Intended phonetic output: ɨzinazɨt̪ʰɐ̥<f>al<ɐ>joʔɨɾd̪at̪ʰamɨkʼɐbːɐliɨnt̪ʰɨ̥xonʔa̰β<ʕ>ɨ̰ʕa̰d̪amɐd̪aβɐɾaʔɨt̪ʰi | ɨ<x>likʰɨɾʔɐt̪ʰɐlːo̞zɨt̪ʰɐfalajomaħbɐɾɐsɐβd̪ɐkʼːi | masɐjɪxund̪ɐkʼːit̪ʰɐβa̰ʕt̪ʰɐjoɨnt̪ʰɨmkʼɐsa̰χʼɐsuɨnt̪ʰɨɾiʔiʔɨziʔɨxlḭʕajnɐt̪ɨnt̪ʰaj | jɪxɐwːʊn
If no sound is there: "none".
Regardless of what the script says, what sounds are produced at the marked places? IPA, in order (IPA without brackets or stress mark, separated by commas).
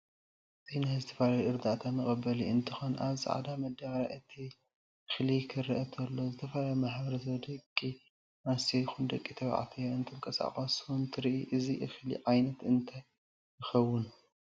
f, a, z, x